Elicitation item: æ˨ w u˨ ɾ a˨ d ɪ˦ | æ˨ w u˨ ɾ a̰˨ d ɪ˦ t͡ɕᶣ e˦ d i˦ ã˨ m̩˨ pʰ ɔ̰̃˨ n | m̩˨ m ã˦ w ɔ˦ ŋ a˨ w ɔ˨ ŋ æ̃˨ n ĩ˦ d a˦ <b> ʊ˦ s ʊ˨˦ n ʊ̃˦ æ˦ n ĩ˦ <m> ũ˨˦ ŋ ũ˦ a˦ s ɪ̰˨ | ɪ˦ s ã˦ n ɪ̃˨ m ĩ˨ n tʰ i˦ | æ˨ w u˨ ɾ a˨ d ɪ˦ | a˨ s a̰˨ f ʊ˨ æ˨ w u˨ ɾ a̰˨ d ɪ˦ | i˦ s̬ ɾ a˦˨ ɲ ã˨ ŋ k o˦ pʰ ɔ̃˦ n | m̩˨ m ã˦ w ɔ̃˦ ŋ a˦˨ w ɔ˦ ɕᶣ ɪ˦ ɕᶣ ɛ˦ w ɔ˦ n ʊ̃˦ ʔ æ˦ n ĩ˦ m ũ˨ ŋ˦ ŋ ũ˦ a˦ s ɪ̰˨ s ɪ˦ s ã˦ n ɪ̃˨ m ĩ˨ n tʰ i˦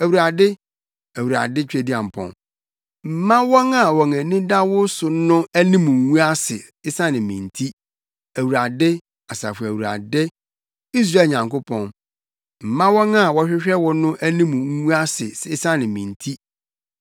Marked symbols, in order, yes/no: no, yes

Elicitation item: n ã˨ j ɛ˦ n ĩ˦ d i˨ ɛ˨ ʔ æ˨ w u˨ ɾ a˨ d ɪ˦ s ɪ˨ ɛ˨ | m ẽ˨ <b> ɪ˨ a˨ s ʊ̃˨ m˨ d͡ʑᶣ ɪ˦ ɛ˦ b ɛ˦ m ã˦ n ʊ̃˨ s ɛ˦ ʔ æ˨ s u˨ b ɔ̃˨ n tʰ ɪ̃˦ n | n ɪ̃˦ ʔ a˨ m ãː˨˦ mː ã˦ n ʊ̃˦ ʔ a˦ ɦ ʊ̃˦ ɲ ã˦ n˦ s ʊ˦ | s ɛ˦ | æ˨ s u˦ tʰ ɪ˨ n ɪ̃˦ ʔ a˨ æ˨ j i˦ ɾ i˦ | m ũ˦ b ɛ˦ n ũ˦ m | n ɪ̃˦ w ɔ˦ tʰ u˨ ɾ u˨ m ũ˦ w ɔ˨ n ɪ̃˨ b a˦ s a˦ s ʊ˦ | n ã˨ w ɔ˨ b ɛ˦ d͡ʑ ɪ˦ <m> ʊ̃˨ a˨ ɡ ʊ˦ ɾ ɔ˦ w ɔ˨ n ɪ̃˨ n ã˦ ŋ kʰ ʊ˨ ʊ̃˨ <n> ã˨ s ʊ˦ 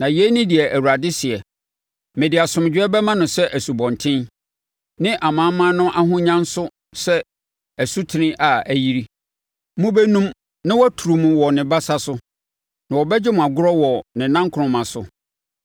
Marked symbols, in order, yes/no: no, yes, no

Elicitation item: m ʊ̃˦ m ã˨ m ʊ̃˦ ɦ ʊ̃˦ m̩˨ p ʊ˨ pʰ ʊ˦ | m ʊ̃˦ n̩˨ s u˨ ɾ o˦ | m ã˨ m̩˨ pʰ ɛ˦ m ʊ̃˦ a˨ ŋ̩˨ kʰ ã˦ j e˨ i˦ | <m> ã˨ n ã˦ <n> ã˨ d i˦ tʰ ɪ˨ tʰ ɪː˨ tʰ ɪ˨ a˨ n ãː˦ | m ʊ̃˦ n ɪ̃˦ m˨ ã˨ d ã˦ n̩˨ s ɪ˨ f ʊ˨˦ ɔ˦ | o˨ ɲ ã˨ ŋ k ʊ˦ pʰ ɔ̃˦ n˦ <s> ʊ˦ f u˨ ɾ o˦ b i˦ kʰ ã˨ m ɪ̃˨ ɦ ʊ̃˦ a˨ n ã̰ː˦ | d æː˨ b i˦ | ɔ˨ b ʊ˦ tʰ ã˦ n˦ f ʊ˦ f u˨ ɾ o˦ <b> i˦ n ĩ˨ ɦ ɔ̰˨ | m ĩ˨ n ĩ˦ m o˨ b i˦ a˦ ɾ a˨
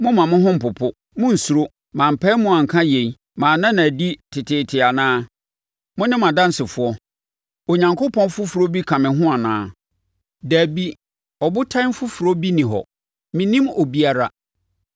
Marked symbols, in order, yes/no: yes, yes, no, yes

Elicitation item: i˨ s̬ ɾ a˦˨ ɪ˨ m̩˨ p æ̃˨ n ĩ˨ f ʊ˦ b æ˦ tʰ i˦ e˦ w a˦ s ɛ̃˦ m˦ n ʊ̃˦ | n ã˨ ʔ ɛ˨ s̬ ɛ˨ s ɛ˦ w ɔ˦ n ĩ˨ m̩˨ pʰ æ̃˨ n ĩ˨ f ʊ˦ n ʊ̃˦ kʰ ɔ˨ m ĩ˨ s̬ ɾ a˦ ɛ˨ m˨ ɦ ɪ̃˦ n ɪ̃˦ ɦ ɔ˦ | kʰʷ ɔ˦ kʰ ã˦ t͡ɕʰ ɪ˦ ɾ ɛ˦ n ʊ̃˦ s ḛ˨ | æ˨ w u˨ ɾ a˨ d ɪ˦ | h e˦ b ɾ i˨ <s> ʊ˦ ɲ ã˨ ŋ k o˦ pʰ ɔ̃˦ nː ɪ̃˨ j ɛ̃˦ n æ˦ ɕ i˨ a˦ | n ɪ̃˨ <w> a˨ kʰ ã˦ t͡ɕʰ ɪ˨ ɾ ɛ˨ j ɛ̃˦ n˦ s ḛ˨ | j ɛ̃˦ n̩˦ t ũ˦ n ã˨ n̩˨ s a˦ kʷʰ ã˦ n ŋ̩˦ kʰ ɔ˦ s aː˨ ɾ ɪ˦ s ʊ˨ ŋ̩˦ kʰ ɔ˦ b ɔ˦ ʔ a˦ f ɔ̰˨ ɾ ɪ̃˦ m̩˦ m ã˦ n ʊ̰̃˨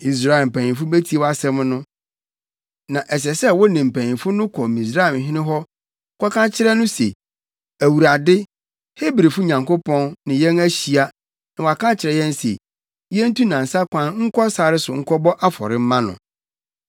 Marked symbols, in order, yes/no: no, yes

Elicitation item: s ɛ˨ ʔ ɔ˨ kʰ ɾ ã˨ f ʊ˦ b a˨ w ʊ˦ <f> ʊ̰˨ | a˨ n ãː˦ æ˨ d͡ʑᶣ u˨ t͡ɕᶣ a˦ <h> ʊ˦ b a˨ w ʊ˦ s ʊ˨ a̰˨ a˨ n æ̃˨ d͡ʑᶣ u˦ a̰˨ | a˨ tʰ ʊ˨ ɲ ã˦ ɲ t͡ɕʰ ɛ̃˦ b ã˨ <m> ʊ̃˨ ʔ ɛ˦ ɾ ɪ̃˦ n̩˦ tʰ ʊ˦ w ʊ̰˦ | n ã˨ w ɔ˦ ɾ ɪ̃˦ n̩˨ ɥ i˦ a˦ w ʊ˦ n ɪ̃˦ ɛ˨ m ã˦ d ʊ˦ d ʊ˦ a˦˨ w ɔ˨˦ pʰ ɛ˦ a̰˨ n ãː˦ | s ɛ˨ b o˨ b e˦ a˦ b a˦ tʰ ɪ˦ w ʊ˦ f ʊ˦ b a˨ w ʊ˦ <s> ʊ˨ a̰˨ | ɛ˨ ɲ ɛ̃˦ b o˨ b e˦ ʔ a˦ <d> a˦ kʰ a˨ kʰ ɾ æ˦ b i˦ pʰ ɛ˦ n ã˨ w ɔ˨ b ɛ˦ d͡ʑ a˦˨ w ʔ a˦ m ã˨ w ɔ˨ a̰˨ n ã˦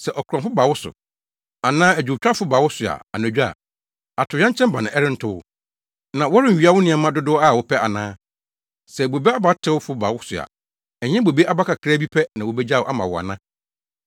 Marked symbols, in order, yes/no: no, no, no, yes, no

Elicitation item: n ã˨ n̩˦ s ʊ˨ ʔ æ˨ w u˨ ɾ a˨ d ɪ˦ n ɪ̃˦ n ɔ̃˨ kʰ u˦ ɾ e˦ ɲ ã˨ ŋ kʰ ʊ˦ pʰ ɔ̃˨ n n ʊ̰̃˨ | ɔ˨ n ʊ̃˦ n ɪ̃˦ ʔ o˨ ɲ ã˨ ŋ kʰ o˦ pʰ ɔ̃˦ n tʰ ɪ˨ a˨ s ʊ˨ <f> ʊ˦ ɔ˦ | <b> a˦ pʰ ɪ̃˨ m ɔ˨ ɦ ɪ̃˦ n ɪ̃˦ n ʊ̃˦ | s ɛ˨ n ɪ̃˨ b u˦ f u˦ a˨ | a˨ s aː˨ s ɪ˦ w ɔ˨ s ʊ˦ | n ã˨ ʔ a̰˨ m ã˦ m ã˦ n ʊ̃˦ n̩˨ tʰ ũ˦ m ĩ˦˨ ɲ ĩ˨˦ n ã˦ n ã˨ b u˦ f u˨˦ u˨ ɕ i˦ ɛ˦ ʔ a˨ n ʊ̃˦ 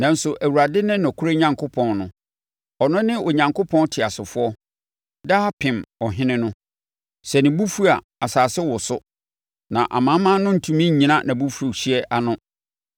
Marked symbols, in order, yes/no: yes, no

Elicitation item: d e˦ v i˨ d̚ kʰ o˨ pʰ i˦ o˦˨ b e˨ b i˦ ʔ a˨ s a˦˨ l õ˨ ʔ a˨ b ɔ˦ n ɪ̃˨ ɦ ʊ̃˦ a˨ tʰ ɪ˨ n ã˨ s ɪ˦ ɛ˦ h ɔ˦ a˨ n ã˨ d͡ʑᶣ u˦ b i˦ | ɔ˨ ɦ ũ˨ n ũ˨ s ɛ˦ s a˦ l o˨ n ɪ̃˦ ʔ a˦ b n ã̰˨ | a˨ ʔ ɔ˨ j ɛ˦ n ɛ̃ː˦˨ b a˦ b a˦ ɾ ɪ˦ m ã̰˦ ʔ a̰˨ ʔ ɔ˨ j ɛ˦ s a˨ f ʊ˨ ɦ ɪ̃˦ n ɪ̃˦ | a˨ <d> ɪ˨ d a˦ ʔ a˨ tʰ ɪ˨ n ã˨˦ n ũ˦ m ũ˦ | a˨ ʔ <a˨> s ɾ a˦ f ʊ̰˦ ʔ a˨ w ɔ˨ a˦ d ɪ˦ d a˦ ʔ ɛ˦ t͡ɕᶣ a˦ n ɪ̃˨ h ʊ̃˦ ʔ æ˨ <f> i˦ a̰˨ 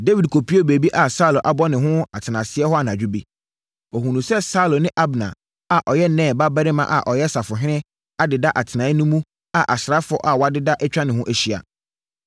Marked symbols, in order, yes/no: yes, yes, no

